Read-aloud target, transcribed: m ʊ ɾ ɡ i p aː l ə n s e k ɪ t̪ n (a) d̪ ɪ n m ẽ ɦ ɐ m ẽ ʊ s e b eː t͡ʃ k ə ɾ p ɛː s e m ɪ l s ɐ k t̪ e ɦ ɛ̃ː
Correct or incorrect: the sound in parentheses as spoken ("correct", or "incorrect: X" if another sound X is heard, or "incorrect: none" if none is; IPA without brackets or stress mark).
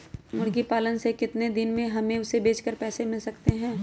incorrect: e